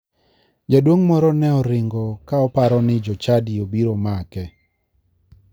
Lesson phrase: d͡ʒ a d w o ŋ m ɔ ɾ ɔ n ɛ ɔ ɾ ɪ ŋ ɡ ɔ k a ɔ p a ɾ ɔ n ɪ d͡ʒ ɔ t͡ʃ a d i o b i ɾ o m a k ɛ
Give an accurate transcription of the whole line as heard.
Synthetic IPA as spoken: d͡ʒ a d w o ŋ m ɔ ɾ ɔ n ɛ ɔ ɾ ɪ ŋ ɡ ɔ k a ɔ p a ɾ ɔ n ɪ d͡ʒ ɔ t͡ʃ a d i o b i ɾ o m a k ɛ